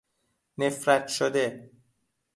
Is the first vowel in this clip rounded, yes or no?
no